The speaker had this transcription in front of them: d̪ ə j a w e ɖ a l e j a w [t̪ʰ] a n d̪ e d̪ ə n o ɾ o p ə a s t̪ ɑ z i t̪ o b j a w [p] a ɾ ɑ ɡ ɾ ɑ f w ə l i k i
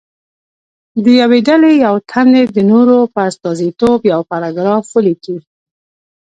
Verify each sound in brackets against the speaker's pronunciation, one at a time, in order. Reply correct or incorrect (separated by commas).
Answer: correct, correct